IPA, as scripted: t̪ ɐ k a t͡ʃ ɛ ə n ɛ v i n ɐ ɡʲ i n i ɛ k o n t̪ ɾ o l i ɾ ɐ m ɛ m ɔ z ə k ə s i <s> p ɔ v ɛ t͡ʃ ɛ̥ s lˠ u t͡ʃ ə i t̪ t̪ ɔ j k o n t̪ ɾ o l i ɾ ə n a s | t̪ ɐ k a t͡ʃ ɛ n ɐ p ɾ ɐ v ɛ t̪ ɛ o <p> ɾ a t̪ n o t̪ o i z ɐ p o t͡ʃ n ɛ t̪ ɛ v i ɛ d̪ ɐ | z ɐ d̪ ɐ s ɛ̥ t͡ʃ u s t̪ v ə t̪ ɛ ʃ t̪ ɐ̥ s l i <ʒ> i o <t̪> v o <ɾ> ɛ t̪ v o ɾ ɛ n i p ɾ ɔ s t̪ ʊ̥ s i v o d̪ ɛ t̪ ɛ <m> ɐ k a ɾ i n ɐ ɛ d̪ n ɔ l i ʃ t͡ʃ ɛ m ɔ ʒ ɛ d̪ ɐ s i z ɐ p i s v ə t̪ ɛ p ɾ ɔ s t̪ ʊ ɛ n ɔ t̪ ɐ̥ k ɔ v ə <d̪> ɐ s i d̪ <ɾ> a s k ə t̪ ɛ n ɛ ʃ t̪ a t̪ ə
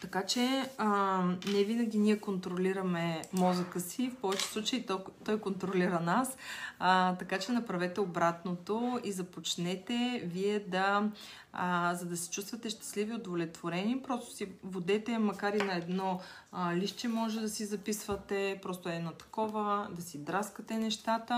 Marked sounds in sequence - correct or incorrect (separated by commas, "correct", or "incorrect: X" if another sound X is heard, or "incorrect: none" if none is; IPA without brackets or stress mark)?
incorrect: f, incorrect: b, incorrect: v, incorrect: d̪, incorrect: l, correct, correct, correct